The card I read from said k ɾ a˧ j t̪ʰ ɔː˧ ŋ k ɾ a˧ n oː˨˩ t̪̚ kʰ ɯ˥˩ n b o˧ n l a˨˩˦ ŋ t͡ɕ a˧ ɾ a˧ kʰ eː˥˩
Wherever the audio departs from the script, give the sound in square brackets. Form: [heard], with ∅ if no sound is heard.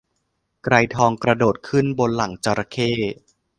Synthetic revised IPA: k ɾ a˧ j t̪ʰ ɔː˧ ŋ k ɾ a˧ [d] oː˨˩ t̪̚ kʰ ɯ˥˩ n b o˧ n l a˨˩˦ ŋ t͡ɕ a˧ ɾ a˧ kʰ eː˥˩

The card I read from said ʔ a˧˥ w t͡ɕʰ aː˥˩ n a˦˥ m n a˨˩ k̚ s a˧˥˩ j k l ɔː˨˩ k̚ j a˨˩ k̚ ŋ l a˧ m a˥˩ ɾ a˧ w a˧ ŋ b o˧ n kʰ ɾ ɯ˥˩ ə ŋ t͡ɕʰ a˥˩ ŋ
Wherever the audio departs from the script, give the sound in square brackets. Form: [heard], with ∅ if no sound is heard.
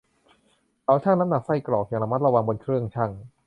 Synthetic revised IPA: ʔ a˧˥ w t͡ɕʰ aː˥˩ n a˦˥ m n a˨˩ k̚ s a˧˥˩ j k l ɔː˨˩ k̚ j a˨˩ [∅] ŋ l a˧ m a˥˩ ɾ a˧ w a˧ ŋ b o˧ n kʰ ɾ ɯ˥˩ ə ŋ t͡ɕʰ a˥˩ ŋ

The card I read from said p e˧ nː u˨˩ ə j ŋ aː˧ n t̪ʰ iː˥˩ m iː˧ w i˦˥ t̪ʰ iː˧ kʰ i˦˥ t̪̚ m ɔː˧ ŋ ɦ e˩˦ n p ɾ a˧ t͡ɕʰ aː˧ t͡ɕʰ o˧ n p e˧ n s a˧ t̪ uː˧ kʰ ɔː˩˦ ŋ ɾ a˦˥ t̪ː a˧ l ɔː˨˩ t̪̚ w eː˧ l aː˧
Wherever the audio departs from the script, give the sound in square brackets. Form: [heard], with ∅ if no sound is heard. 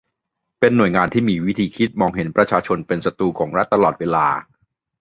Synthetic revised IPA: p e˧ nː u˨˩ ə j ŋ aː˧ n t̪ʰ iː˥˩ m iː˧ w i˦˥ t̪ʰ iː˧ kʰ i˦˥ t̪̚ m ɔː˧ ŋ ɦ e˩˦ n p ɾ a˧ t͡ɕʰ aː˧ t͡ɕʰ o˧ n p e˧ n s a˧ t̪ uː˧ kʰ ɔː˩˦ ŋ ɾ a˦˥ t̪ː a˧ l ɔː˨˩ t̪̚ w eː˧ l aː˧

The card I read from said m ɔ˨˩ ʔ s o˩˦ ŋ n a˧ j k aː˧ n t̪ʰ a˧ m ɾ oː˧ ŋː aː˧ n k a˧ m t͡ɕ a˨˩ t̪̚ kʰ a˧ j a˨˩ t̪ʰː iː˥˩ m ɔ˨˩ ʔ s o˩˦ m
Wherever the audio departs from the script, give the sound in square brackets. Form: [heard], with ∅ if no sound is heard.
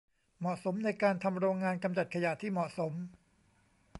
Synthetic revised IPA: m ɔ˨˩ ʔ s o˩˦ [m] n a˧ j k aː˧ n t̪ʰ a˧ m ɾ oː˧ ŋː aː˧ n k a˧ m t͡ɕ a˨˩ t̪̚ kʰ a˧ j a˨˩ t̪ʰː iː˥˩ m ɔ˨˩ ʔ s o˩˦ m

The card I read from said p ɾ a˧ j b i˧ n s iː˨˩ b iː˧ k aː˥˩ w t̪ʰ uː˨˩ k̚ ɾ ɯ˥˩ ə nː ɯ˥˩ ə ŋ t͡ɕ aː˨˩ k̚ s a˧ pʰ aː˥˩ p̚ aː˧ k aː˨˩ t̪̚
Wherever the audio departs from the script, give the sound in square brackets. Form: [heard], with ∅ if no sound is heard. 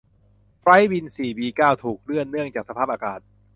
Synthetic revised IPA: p ɾ [a˦˥] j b i˧ n s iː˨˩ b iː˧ k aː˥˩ w t̪ʰ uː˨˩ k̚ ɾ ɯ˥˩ ə nː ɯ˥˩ ə ŋ t͡ɕ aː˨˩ k̚ s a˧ pʰ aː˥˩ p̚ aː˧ k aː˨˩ t̪̚

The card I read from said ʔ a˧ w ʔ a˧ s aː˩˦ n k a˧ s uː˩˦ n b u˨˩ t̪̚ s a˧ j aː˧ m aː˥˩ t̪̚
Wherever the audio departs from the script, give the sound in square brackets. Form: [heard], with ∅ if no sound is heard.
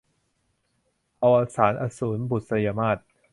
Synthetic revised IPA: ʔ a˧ w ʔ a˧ s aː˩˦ n [ʔ] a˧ s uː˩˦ n b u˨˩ t̪̚ s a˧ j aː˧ m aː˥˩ t̪̚

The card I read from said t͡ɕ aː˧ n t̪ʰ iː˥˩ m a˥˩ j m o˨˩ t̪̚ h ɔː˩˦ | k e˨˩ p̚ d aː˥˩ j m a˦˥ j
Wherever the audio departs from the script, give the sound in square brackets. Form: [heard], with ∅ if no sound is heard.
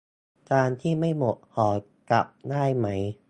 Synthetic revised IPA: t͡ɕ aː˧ n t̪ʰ iː˥˩ m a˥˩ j m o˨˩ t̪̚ h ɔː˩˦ | k [a˨˩] p̚ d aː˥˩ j m a˦˥ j

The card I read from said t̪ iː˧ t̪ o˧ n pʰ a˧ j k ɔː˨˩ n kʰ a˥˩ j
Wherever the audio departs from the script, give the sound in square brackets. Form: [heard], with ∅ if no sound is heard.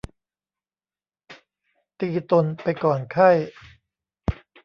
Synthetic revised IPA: t̪ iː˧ t̪ o˧ n [p] a˧ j k ɔː˨˩ n kʰ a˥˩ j

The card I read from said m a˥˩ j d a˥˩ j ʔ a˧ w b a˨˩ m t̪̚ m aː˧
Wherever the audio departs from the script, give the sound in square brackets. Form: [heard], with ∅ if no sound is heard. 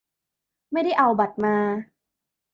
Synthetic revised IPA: m a˥˩ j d a˥˩ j ʔ a˧ w b a˨˩ [∅] t̪̚ m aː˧

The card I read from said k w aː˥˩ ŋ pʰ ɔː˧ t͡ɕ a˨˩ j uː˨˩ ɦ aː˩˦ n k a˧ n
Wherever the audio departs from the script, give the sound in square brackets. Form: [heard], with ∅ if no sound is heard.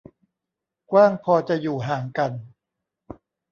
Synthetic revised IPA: k w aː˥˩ ŋ pʰ ɔː˧ t͡ɕ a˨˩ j uː˨˩ ɦ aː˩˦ [ŋ] k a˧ n

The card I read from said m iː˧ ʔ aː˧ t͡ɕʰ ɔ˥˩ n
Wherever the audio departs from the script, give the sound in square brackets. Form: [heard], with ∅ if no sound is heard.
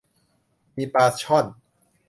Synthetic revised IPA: m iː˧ [p] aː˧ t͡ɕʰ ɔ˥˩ n

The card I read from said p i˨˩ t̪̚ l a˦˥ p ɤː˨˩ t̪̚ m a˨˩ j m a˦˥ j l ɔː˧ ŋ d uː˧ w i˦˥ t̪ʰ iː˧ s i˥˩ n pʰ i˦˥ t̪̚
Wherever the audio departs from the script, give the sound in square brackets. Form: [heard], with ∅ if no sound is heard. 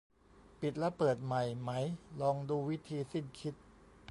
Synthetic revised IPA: p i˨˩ t̪̚ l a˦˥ p ɤː˨˩ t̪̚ m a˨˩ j m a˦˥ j l ɔː˧ ŋ d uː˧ w i˦˥ t̪ʰ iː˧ s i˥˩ n [kʰ] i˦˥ t̪̚

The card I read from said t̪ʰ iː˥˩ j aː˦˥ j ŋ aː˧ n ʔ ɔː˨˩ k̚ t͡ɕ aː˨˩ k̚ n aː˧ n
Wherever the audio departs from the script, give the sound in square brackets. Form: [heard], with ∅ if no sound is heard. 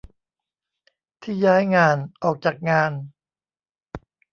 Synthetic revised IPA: t̪ʰ iː˥˩ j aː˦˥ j ŋ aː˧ n ʔ ɔː˨˩ k̚ t͡ɕ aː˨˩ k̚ [ŋ] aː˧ n

